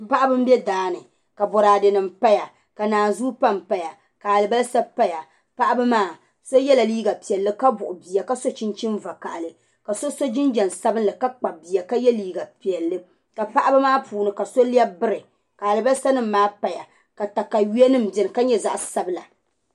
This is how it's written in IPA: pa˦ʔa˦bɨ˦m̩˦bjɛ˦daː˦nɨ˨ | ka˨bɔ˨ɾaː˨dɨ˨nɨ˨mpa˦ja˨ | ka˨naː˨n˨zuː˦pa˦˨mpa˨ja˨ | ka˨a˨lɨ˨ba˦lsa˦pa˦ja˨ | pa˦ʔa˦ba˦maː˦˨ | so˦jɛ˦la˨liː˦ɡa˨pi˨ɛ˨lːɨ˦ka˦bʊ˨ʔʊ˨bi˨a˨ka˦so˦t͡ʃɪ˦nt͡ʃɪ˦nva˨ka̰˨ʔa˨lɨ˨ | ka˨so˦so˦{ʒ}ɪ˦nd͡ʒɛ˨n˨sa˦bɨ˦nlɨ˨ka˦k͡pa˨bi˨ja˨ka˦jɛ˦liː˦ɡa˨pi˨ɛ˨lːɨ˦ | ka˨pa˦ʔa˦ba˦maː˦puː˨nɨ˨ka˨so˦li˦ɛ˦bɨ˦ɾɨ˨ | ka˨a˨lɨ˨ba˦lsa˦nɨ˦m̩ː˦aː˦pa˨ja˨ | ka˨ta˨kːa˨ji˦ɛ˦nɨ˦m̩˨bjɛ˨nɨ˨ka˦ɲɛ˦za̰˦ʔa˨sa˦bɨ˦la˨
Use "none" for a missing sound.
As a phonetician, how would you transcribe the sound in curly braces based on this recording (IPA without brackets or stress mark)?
d͡ʒ